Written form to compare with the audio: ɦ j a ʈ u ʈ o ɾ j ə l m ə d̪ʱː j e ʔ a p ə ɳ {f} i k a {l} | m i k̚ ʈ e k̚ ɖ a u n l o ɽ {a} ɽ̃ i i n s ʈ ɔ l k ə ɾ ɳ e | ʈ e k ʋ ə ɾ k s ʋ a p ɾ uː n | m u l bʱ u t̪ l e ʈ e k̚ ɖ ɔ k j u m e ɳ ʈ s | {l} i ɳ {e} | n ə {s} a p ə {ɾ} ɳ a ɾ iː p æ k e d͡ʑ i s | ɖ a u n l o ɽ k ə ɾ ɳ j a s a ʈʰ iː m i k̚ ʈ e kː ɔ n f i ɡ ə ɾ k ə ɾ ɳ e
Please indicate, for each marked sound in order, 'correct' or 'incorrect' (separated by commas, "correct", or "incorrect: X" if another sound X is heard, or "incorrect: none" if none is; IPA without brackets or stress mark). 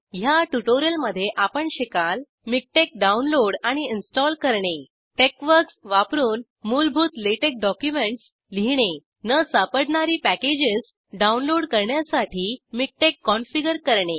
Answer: incorrect: ɕ, correct, correct, correct, correct, correct, incorrect: ɽ